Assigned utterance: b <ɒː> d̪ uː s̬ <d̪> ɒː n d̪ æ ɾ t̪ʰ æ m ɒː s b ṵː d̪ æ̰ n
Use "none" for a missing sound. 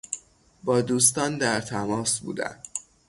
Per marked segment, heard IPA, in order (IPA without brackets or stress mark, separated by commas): ɒː, t̪